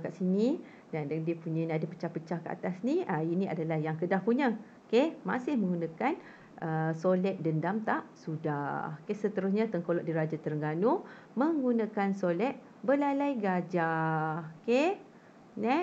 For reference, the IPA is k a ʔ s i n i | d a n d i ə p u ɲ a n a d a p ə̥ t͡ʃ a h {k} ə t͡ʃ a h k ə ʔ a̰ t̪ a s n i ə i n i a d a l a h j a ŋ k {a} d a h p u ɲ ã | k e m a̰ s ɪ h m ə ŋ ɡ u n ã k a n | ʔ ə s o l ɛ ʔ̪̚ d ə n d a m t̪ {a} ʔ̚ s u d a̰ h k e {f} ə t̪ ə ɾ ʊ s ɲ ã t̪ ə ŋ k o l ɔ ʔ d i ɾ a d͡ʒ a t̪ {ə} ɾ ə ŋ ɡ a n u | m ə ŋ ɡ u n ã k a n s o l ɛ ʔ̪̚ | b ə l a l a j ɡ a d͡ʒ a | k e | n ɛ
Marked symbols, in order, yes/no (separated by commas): no, no, yes, no, yes